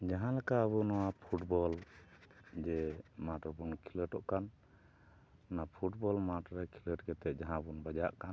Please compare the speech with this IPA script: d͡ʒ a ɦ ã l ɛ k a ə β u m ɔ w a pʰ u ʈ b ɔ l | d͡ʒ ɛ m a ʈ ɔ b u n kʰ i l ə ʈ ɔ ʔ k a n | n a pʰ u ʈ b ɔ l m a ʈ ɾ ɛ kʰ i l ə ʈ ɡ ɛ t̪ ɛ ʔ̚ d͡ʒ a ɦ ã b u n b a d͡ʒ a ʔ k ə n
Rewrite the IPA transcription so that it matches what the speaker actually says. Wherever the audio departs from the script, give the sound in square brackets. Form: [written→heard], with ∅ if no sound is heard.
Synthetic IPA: d͡ʒ a ɦ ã l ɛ k a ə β u [m→n] ɔ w a pʰ u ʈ b ɔ l | d͡ʒ ɛ m a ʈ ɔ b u n kʰ i l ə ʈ ɔ ʔ k a n | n a pʰ u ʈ b ɔ l m a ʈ ɾ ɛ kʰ i l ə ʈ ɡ ɛ t̪ ɛ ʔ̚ d͡ʒ a ɦ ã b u n b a d͡ʒ a ʔ k [ə→a] n

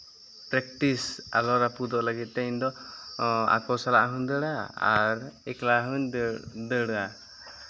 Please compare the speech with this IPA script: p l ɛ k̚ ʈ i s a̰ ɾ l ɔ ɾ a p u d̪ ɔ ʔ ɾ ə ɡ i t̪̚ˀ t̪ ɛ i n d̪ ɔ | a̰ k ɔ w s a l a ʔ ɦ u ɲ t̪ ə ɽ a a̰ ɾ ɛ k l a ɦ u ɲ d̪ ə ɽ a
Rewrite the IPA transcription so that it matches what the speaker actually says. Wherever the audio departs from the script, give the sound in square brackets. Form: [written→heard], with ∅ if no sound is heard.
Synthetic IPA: p [l→ɾ] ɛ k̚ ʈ i s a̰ [ɾ→∅] l ɔ ɾ a p u d̪ ɔ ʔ [ɾ→l] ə ɡ i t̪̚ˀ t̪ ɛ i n d̪ ɔ | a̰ k ɔ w s a l a ʔ ɦ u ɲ [t̪→d̪] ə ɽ a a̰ ɾ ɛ k l a ɦ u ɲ d̪ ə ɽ a

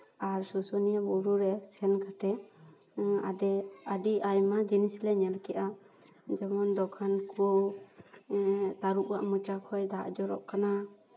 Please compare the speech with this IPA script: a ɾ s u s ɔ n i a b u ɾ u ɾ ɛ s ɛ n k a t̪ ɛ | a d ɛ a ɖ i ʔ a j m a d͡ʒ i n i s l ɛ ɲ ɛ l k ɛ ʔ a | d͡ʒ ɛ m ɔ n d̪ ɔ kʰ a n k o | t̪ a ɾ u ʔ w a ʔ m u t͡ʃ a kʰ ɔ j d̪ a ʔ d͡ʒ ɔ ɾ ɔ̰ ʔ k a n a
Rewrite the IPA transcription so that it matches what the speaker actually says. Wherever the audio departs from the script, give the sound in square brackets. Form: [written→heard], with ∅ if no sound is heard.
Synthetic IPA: a ɾ s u s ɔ n i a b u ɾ u ɾ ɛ s ɛ n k a t̪ ɛ | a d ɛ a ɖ i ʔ a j m a d͡ʒ i n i s l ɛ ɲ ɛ l k ɛ ʔ a | d͡ʒ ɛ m ɔ n d̪ ɔ kʰ a n k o | t̪ a ɾ u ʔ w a ʔ m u t͡ʃ a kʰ ɔ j d̪ a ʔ d͡ʒ ɔ ɾ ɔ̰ ʔ k a n a

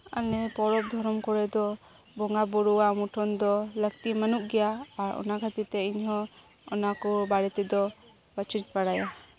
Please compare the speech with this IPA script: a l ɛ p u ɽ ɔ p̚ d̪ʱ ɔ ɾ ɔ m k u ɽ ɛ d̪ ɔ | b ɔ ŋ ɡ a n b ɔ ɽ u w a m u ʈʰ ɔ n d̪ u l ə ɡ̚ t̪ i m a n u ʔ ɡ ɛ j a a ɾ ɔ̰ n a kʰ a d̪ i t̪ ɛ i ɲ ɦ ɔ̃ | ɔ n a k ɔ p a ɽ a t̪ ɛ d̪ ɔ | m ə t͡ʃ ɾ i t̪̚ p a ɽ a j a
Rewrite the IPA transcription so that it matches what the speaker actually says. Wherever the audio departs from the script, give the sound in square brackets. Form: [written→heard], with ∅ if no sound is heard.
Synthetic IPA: a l ɛ p [u→ɔ] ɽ ɔ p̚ d̪ʱ ɔ ɾ ɔ m k [u→ɔ] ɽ ɛ d̪ ɔ | b ɔ ŋ ɡ a [n→∅] b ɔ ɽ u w a m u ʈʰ ɔ n d̪ [u→ɔ] l ə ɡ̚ t̪ i m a n u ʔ ɡ ɛ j a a ɾ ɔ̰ n a kʰ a [d̪→t̪] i t̪ ɛ i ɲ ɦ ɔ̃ | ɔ n a k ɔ [p→b] a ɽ [a→ɛ] t̪ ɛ d̪ ɔ | [m→b] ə t͡ʃ ɾ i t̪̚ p a ɽ a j a

